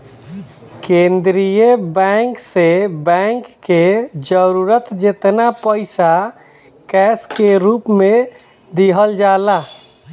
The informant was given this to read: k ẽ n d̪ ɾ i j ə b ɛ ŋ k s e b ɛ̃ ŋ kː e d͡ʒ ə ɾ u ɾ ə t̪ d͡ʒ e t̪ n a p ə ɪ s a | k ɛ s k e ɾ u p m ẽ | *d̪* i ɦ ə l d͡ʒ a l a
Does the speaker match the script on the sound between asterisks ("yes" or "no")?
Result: yes